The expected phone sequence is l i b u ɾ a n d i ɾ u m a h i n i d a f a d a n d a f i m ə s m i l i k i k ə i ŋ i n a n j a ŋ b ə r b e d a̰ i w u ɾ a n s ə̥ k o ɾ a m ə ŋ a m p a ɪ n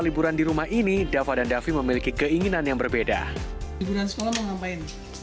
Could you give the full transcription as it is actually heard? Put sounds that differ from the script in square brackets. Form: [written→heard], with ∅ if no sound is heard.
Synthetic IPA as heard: l i b u ɾ a n d i ɾ u m a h i n i d a f a d a n d a f i m ə [s→∅] m i l i k i k ə i ŋ i n a n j a ŋ b ə r b e d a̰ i [w→b] u ɾ a n s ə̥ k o [ɾ→l] a m ə ŋ a m p a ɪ n